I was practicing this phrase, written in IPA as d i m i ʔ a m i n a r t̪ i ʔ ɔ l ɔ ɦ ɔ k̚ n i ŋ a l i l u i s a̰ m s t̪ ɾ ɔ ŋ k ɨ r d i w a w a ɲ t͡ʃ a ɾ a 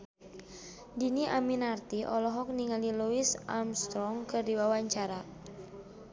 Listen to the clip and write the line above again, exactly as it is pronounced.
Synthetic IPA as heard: d i n i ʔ a m i n a r t̪ i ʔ ɔ l ɔ ɦ ɔ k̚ n i ŋ a l i l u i s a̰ m s t̪ ɾ ɔ ŋ k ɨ r d i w a w a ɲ t͡ʃ a ɾ a